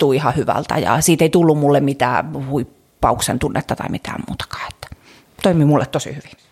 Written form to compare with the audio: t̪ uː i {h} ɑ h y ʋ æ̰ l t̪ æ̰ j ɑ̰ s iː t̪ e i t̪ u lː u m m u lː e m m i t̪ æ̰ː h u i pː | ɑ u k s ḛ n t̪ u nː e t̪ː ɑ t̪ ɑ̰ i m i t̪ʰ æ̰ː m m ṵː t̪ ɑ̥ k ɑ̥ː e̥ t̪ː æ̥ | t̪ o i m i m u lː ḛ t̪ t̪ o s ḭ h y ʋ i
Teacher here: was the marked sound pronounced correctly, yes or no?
yes